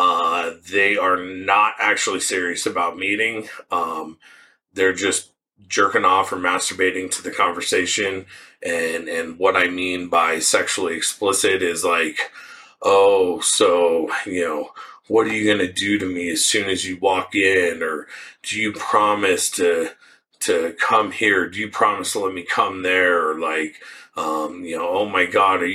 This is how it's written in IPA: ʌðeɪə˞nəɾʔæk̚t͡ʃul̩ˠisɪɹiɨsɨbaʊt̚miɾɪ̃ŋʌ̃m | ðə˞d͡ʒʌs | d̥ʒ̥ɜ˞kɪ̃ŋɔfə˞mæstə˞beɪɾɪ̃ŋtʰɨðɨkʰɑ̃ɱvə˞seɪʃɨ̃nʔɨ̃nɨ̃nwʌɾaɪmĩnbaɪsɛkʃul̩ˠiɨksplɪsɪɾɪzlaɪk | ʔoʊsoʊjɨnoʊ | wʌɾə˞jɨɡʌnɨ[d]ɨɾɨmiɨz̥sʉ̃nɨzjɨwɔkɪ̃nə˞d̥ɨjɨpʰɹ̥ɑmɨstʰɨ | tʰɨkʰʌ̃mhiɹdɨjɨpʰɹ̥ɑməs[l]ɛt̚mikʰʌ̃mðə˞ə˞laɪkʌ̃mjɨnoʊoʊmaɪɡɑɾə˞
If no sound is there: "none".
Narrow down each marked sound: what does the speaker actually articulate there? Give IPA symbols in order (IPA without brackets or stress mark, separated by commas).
d, l